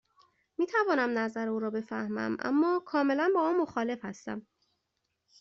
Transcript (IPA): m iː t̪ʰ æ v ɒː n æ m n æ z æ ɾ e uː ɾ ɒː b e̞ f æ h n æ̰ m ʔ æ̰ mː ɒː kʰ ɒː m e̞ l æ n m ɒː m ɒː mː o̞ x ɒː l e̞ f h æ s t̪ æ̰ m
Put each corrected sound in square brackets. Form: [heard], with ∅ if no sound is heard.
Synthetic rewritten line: m iː t̪ʰ æ v ɒː n æ m n æ z æ ɾ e uː ɾ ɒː b e̞ f æ h [m] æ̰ m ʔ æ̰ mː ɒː kʰ ɒː m e̞ l æ n [b] ɒː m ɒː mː o̞ x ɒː l e̞ f h æ s t̪ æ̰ m